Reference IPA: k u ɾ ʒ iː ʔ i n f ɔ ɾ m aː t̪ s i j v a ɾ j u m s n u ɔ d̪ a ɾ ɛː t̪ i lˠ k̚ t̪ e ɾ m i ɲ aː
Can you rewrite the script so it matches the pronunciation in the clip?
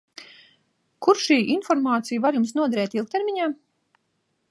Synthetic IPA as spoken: k u ɾ ʃ iː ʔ i n f ɔ ɾ m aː t̪ s i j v a ɾ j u m s n u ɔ d̪ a ɾ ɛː t̪ i lˠ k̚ t̪ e ɾ m i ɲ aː